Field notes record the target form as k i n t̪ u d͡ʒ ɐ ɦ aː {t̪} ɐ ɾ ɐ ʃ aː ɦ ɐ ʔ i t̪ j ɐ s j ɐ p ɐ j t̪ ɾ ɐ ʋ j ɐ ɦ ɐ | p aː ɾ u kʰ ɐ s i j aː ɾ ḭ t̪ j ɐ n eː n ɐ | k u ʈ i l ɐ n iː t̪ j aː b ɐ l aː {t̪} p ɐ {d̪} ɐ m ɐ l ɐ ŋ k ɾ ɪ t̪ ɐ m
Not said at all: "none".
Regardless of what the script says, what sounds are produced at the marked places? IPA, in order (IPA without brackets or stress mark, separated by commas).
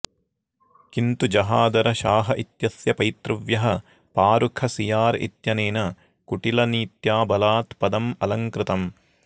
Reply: d̪, t̪, d̪